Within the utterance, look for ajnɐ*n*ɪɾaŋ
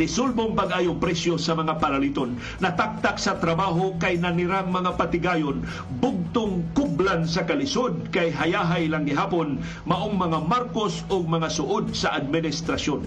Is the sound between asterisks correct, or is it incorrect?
correct